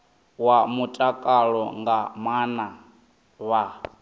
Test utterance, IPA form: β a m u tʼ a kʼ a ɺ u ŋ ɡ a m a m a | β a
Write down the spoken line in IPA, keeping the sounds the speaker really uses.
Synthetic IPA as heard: w a m u tʼ a kʼ a ɺ ɔ ŋ ɡ a m a n a | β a